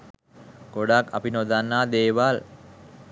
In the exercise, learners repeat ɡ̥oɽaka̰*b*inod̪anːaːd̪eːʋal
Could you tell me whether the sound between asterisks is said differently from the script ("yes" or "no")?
yes